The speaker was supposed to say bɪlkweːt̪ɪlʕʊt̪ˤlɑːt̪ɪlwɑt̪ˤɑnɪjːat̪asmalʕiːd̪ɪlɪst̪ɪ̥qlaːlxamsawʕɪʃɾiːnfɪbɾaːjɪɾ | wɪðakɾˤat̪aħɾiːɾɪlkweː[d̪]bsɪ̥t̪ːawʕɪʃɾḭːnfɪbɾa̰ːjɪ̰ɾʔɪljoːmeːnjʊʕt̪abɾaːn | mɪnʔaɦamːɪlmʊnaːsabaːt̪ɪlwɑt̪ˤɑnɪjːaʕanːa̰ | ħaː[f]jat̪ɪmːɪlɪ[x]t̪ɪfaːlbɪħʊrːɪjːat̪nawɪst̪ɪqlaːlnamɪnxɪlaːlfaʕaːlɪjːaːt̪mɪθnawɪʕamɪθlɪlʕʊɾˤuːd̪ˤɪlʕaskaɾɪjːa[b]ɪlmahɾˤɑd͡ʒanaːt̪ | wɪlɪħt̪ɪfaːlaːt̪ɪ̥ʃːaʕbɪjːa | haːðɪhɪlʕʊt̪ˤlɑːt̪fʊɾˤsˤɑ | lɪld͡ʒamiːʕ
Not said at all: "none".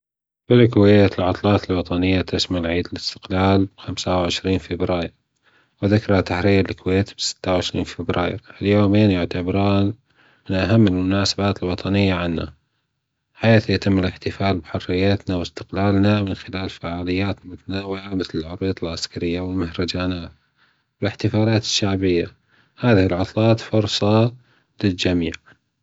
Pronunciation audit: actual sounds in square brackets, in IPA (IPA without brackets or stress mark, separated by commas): t̪, θ, ħ, w